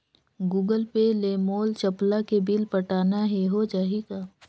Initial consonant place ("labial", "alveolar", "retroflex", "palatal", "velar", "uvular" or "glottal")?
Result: velar